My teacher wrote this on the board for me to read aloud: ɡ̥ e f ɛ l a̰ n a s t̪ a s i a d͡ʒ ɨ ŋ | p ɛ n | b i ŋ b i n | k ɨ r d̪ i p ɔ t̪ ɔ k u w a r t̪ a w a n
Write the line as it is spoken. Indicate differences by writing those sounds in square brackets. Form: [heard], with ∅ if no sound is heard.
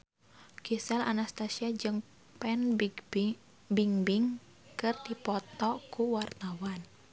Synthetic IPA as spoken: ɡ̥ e [s] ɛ l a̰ n a s t̪ a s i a d͡ʒ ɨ ŋ | p ɛ n | b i ŋ b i [ŋ] | k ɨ r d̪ i p ɔ t̪ ɔ k u w a r t̪ a w a n